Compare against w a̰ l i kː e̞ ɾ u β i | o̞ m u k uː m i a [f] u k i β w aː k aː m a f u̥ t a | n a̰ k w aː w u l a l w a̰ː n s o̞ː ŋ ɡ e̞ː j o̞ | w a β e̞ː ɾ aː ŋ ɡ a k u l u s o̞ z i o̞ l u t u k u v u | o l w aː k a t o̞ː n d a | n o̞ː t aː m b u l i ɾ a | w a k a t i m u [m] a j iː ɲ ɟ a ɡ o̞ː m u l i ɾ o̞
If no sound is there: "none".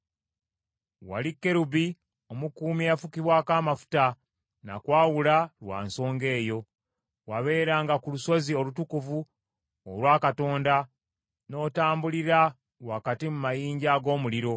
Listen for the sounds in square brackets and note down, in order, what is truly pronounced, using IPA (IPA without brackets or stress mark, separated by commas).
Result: f, m